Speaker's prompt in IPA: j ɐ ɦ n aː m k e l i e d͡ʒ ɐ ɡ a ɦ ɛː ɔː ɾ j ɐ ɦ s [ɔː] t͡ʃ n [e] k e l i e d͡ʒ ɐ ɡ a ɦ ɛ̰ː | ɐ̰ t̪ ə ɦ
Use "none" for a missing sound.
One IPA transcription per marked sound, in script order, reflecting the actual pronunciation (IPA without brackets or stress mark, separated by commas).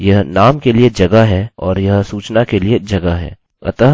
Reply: uː, a